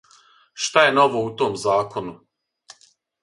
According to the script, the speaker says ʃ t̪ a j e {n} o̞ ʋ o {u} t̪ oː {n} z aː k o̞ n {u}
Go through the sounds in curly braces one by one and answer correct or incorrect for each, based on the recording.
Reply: correct, correct, incorrect: m, correct

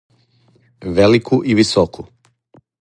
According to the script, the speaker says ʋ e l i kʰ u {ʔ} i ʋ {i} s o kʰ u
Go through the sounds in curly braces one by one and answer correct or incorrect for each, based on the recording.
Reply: correct, correct

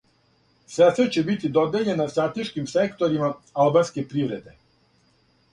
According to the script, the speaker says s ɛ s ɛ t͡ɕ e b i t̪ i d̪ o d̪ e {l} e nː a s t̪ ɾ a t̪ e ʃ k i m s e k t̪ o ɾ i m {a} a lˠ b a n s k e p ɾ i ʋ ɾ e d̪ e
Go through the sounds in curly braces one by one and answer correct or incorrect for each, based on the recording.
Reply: incorrect: ʎ, correct

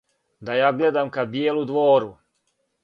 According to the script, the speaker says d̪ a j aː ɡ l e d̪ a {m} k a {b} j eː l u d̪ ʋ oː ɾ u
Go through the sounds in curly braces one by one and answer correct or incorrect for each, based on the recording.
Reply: correct, correct

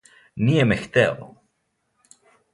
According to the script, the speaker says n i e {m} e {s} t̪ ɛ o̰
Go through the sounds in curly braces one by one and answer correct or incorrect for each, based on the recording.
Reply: correct, incorrect: x

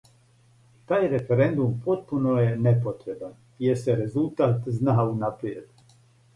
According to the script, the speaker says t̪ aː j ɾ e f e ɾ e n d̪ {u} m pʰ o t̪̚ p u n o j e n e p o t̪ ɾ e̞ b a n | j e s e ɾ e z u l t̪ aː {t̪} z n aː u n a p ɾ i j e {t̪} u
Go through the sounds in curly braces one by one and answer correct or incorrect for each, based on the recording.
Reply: correct, correct, incorrect: d̪

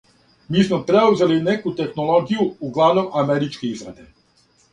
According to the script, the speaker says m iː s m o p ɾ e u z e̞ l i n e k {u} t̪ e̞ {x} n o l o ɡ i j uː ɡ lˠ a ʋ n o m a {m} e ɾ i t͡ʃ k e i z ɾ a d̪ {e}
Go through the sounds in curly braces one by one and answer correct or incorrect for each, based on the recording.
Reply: correct, correct, correct, correct

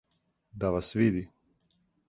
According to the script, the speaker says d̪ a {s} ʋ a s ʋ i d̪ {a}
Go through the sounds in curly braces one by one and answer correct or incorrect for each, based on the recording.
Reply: incorrect: none, incorrect: i

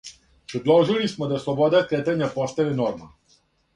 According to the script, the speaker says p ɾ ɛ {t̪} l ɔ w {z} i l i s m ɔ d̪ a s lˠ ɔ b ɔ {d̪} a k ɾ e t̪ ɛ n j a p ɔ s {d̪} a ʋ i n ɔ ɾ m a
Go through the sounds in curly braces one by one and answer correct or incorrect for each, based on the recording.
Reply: incorrect: d̪, incorrect: ʒ, correct, incorrect: t̪

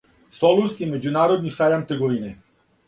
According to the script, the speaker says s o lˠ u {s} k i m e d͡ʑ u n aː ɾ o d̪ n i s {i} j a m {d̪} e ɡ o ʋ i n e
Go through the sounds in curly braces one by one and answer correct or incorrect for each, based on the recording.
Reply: correct, incorrect: a, incorrect: t̪

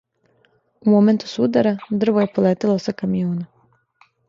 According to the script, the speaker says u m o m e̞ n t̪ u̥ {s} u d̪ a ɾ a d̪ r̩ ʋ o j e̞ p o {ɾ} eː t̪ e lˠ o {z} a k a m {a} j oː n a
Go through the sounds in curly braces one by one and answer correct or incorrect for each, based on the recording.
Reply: correct, incorrect: l, incorrect: s, incorrect: i

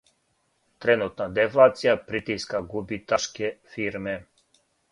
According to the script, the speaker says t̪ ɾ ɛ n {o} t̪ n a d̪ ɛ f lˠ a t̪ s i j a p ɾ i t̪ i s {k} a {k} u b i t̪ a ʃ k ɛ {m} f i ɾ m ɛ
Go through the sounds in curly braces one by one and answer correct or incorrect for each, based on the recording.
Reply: incorrect: u, correct, incorrect: ɡ, incorrect: none

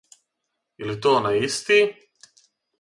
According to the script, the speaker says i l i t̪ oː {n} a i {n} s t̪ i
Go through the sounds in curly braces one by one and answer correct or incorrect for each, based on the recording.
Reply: correct, incorrect: none

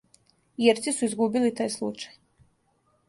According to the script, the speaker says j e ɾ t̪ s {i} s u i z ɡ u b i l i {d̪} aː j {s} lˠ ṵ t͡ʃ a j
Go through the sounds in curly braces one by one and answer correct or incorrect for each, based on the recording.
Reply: correct, incorrect: t̪, correct

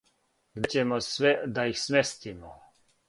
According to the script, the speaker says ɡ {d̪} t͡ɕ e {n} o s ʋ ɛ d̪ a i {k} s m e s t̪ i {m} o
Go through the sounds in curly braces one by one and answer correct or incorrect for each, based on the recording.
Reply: correct, incorrect: m, incorrect: x, correct

